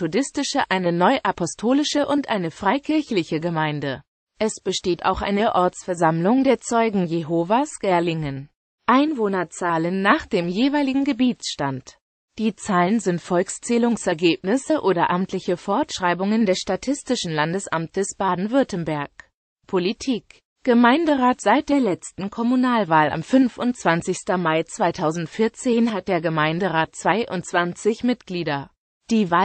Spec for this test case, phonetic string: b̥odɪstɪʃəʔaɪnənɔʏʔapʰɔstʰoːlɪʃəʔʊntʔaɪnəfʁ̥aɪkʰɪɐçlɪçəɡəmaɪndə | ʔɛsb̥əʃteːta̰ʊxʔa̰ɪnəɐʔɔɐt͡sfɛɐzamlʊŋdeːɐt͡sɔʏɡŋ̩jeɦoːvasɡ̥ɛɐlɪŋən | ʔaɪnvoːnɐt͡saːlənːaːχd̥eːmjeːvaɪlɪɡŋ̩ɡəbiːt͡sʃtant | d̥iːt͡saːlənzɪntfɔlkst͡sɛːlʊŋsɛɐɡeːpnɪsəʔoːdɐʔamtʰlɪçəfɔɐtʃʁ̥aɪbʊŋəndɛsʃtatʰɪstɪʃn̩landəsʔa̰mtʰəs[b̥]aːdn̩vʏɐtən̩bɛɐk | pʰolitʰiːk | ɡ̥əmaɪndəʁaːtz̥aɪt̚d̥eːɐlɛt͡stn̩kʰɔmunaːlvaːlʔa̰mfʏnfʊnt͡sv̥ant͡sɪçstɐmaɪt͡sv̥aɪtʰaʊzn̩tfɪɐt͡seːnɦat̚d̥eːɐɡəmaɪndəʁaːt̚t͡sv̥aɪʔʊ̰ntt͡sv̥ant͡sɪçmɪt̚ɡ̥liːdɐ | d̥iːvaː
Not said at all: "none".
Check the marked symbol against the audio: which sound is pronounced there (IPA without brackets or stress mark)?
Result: b̥